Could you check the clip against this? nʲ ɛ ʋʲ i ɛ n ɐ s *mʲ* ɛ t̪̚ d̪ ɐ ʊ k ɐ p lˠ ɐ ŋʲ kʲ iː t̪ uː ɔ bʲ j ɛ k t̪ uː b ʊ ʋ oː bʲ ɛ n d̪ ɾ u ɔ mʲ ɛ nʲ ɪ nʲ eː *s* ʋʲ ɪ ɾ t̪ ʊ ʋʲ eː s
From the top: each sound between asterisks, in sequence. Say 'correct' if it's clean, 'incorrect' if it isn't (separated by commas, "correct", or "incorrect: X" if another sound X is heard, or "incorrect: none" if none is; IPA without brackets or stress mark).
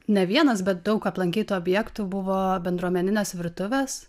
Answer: incorrect: bʲ, correct